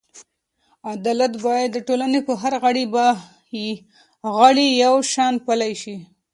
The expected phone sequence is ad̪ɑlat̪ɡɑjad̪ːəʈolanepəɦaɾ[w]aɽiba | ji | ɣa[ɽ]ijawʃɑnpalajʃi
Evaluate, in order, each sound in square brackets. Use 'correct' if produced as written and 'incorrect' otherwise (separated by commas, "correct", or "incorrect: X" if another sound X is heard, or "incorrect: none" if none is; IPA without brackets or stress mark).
incorrect: ɣ, correct